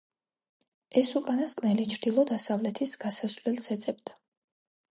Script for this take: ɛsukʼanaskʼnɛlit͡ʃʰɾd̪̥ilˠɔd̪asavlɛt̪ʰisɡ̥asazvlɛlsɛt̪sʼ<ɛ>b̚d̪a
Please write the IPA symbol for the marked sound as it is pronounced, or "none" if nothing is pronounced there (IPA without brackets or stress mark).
ɛ